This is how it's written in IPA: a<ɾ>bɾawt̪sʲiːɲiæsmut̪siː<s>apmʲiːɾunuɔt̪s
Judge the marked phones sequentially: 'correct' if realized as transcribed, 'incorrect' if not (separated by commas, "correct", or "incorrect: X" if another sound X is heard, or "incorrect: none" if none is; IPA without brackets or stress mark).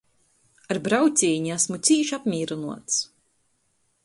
correct, incorrect: ʃ